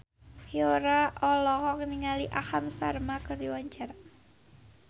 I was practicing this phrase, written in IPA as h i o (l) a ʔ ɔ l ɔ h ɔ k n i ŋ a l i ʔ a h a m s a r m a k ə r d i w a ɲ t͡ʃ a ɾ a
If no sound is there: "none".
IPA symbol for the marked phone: ɾ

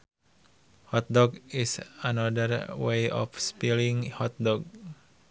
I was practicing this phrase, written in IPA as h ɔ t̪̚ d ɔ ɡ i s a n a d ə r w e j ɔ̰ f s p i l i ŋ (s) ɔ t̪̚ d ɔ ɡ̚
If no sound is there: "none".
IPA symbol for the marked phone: h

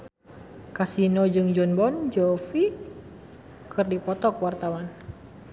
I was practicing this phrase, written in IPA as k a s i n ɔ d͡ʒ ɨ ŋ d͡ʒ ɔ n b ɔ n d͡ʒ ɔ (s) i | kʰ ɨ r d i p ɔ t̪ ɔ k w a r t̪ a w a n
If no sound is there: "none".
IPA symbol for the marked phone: f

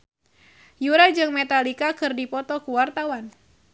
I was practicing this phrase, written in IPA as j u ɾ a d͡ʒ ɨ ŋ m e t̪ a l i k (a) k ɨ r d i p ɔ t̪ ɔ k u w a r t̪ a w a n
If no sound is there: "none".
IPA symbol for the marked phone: a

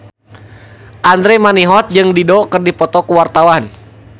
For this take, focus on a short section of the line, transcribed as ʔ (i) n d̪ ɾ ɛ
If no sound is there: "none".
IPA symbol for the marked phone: a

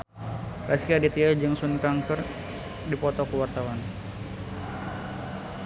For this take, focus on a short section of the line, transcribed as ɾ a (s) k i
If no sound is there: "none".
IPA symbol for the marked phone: s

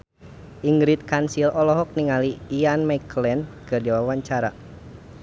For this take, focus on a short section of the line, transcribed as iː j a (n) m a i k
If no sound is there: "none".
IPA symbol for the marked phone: n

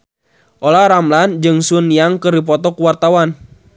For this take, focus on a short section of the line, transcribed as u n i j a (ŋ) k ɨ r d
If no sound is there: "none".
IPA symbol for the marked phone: ŋ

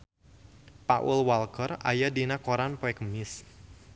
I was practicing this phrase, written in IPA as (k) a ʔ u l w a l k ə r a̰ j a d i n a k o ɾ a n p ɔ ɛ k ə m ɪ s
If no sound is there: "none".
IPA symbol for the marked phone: p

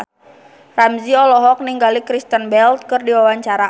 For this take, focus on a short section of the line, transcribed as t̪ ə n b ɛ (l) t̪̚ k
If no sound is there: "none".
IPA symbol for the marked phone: l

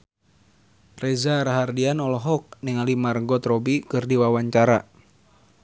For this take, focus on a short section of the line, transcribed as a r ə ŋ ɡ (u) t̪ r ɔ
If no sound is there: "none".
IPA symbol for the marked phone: ɔ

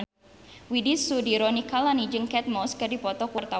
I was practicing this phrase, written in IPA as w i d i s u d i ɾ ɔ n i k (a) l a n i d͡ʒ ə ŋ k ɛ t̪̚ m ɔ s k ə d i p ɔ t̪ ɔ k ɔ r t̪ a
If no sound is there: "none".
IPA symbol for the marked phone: a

